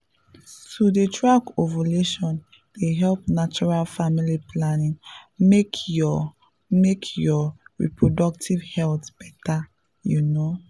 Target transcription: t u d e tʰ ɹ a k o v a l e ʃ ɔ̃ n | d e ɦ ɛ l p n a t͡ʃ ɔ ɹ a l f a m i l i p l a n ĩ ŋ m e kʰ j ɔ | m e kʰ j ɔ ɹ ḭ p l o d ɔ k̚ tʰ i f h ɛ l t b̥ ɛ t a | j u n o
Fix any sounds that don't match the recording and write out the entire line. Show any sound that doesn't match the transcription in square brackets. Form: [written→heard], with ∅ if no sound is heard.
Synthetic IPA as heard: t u d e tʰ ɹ a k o v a l e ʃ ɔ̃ n | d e ɦ ɛ l p n a t͡ʃ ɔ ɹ a l f a m i l i p l a n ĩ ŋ m e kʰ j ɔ | m e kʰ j ɔ ɹ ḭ p [l→ɹ] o d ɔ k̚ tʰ i [f→v] h ɛ l t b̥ ɛ t a | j u n o